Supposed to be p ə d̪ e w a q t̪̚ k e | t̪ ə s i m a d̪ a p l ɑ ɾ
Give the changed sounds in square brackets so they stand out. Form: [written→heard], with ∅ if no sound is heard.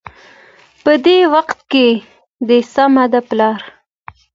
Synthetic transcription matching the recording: p ə d̪ e w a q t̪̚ k e | [t̪→d̪] ə s [i→a] m a d̪ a p l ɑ ɾ